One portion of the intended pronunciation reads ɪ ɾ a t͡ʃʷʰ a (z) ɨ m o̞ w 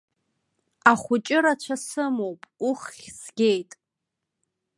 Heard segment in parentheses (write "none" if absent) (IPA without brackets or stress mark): s